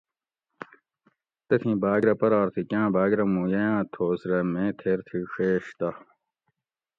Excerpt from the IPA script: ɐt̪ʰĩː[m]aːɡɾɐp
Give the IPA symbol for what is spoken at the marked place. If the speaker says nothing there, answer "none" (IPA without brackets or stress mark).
b